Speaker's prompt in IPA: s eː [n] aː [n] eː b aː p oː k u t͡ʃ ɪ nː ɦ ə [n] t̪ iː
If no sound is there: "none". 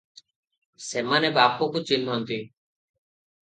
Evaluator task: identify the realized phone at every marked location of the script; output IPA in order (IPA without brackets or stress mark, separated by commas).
m, n, n